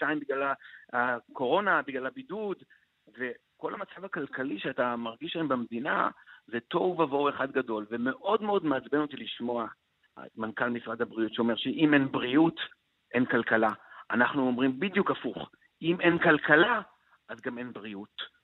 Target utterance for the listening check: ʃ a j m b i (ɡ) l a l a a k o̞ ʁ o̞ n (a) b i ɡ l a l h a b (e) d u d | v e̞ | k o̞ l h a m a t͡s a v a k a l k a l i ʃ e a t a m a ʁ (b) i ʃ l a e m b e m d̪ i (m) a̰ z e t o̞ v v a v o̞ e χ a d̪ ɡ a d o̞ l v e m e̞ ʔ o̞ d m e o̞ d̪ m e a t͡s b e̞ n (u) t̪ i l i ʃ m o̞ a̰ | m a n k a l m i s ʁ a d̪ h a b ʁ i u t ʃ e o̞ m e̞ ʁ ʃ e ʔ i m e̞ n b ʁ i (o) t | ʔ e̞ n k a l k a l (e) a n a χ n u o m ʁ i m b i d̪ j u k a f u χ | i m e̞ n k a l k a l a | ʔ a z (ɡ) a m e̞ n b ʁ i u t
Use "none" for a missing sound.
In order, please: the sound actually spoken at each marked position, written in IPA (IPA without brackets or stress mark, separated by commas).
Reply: ɡ, a, i, ɡ, n, o, u, a, ɡ